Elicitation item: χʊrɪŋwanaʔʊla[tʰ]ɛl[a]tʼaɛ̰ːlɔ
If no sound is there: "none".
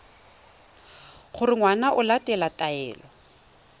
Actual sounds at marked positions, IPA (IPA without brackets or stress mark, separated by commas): t, a